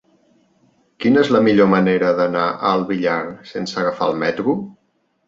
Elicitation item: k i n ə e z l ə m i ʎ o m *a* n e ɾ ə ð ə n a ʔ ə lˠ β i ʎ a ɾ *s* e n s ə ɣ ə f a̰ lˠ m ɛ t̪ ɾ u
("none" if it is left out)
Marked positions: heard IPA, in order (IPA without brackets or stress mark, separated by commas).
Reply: ə, s